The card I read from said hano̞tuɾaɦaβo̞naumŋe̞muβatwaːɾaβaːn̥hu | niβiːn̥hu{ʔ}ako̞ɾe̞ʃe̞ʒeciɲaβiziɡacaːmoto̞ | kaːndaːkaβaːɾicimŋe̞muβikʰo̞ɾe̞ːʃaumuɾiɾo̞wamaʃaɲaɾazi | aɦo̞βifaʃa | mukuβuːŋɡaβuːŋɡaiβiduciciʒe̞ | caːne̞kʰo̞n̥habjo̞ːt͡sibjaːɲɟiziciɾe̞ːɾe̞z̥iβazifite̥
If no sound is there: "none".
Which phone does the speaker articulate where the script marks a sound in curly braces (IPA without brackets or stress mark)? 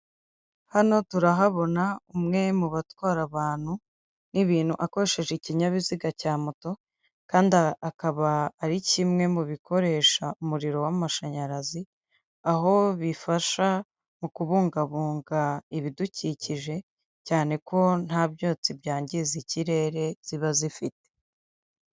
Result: ʔ